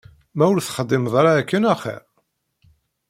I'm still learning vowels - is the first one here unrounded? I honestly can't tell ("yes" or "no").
yes